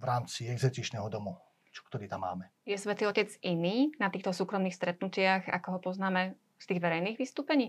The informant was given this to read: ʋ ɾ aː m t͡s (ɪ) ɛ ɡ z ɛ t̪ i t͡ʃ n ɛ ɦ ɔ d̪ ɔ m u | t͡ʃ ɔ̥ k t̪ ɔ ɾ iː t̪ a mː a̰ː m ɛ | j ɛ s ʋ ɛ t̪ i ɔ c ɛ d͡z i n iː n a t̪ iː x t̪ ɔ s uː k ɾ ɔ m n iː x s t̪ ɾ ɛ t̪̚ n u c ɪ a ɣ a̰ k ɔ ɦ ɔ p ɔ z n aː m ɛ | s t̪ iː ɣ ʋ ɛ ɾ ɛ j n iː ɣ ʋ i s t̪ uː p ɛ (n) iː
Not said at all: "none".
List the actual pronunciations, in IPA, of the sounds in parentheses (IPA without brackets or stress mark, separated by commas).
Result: i, ɲ